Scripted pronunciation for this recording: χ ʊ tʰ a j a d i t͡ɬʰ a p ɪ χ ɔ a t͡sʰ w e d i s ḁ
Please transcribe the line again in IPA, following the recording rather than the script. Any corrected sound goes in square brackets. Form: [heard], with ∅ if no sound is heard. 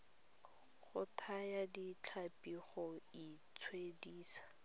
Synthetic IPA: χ ʊ tʰ a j a d i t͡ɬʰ a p [i] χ ɔ [i] t͡sʰ w e d [iː] s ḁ